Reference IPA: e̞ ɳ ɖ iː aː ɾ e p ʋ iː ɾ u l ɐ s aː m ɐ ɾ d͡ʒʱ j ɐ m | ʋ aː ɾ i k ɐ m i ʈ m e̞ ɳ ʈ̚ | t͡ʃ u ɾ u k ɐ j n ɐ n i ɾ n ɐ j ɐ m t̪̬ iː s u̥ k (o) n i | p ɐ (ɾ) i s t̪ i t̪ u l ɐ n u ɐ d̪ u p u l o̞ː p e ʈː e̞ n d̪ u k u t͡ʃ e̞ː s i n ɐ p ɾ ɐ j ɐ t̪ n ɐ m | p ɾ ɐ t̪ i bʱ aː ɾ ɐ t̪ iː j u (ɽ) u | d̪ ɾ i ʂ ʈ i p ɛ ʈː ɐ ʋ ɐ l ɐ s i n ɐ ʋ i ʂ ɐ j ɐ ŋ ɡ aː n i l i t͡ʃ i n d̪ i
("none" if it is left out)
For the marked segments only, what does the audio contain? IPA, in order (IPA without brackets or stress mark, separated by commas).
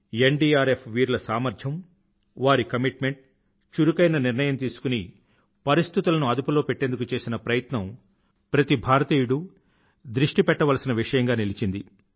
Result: u, ɾ, ɽ